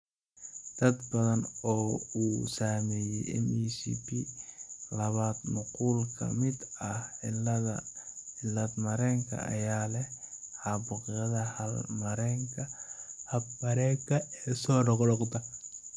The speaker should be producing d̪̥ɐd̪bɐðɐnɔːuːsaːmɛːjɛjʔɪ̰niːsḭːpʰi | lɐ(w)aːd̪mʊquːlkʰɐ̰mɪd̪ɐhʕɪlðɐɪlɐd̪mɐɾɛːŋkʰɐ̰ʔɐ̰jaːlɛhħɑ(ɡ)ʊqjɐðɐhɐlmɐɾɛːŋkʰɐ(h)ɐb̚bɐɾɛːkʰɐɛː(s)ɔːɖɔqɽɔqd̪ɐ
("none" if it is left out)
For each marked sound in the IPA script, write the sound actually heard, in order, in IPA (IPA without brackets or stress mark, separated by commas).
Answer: β, b, h, s